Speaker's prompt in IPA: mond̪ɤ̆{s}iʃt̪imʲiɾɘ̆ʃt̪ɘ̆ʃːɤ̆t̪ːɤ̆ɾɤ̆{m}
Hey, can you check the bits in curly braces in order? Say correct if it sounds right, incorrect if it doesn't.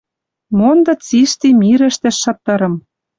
incorrect: t͡s, correct

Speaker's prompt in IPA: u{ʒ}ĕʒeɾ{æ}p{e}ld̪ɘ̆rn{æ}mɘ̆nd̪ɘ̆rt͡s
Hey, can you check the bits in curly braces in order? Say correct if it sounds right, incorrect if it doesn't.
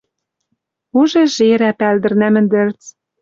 correct, correct, incorrect: æ, correct

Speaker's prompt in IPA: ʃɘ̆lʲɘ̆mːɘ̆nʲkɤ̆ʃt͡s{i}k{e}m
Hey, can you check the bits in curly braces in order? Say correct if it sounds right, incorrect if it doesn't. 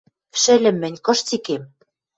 correct, correct

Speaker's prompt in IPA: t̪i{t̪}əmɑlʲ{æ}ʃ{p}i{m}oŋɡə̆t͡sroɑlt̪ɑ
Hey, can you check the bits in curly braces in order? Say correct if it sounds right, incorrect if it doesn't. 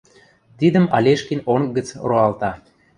incorrect: d̪, incorrect: e, incorrect: k, incorrect: n

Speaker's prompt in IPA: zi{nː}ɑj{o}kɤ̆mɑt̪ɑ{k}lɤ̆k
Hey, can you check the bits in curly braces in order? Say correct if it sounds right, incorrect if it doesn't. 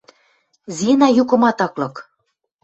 incorrect: n, incorrect: u, correct

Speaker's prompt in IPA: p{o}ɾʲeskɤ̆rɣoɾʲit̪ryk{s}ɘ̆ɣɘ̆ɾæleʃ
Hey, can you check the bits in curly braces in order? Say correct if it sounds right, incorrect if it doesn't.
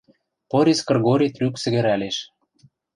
correct, correct

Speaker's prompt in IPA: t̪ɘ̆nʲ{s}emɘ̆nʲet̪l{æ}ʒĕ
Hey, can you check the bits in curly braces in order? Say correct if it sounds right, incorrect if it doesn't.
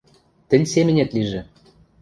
correct, incorrect: i

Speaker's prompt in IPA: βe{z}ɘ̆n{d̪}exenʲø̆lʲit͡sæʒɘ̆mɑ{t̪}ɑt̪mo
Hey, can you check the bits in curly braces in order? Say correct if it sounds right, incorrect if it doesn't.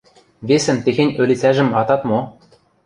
incorrect: s, incorrect: t̪, correct

